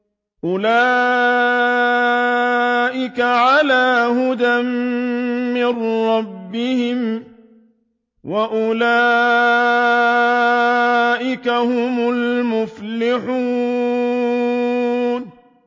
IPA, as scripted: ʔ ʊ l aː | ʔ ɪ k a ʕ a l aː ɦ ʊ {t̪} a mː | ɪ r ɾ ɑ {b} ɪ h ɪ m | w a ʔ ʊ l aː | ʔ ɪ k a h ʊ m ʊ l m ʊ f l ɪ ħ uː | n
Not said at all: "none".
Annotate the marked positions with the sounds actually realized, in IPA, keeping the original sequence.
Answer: d̪, bː

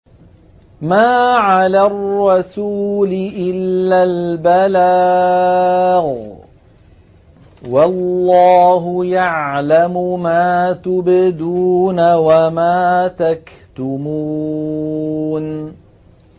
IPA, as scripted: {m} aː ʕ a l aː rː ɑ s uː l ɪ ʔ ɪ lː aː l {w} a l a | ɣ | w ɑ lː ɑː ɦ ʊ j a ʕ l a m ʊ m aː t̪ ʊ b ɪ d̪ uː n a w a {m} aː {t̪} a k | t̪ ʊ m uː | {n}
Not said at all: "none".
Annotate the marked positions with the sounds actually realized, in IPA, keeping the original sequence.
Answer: m, b, m, t̪, n

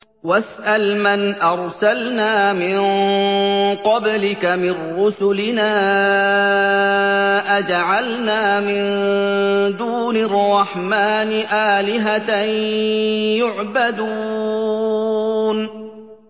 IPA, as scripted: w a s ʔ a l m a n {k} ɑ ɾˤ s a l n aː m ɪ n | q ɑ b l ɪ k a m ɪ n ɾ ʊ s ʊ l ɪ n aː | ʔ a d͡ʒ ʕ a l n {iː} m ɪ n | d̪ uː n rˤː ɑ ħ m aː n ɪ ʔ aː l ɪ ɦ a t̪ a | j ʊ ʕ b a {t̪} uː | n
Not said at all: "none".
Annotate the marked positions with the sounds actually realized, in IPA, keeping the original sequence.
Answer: ʔ, aː, d̪

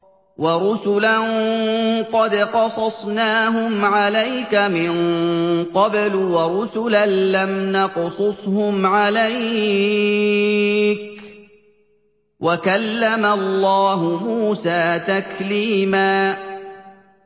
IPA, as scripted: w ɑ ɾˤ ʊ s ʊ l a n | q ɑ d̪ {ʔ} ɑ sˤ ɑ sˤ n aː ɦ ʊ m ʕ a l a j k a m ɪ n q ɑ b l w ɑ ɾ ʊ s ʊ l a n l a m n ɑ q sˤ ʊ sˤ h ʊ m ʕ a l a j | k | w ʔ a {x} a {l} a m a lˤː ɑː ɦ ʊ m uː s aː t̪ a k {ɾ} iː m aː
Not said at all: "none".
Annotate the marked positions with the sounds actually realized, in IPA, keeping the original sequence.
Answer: q, k, lː, l

